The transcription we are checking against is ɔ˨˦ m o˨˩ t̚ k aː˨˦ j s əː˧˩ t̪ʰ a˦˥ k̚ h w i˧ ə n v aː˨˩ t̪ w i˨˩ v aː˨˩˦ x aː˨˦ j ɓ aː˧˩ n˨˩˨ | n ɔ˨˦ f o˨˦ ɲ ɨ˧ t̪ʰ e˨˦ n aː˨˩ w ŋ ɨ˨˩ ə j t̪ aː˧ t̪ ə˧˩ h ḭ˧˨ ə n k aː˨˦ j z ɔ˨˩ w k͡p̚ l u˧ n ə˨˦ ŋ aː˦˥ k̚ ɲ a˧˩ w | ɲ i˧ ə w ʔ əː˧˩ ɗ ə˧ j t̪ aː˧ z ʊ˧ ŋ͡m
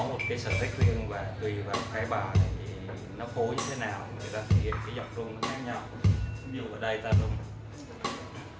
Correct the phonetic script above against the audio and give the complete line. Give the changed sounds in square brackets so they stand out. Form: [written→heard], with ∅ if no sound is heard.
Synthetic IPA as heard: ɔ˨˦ m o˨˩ t̚ k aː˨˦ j s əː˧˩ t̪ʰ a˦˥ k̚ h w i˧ ə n v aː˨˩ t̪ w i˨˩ v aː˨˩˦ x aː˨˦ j ɓ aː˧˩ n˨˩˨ | n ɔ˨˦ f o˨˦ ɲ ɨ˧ t̪ʰ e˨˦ n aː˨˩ w ŋ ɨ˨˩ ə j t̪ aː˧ [t̪→t̪ʰ] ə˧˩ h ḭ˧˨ ə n k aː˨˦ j z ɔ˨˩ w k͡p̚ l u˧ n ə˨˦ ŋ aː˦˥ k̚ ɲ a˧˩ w | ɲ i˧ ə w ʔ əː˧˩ ɗ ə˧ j t̪ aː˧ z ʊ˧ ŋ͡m